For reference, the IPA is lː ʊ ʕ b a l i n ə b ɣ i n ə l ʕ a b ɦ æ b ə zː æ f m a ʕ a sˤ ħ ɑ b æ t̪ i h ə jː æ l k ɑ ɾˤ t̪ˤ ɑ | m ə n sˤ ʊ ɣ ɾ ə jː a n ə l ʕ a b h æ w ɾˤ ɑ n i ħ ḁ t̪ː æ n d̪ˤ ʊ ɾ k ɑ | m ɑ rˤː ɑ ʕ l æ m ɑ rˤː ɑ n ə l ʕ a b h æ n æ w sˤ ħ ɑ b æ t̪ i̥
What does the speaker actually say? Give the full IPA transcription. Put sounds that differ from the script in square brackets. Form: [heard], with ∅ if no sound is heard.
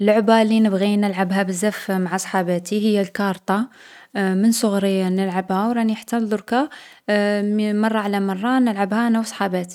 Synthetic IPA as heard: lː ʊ ʕ b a l i n ə b ɣ i n ə l ʕ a b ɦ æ b ə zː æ f m a ʕ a sˤ ħ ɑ b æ t̪ i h ə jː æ l k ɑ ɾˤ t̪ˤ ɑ | m ə n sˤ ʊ ɣ ɾ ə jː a n ə l ʕ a b h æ w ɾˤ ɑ n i ħ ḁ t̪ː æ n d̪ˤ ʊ ɾ k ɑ | m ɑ rˤː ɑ ʕ l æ m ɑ rˤː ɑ n ə l ʕ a b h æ n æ w sˤ ħ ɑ b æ t̪ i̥